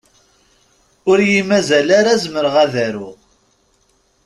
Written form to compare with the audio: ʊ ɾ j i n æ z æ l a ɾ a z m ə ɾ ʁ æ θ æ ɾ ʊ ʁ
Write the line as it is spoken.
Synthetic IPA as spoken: ʊ ɾ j i m æ z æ l a ɾ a z m ə ɾ ʁ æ ð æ ɾ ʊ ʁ